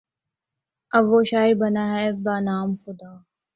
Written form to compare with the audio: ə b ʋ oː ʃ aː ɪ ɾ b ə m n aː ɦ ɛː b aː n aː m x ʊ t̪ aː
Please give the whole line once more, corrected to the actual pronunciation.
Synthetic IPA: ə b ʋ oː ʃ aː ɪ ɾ b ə n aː ɦ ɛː b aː n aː m x ʊ d̪ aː